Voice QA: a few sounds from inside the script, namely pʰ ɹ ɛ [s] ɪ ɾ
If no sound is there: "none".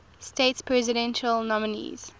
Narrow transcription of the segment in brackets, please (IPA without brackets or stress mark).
z